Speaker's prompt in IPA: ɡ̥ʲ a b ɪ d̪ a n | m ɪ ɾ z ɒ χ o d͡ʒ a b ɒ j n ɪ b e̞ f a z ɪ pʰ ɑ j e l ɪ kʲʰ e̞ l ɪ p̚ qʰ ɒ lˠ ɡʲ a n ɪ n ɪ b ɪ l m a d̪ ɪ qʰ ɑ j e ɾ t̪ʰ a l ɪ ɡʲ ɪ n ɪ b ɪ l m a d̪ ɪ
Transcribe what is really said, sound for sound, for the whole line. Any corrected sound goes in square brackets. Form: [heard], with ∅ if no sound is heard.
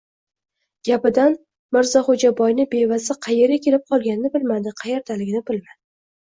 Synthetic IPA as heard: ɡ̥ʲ a [p] ɪ d̪ a n | m ɪ ɾ z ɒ χ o d͡ʒ a b ɒ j n ɪ b e̞ [v] a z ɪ [qʰ] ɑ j e [ɾ] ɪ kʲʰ e̞ l ɪ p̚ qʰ ɒ lˠ ɡʲ a n ɪ n ɪ b ɪ l m a d̪ ɪ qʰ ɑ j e ɾ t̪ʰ a l ɪ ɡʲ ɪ n ɪ b ɪ l m a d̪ ɪ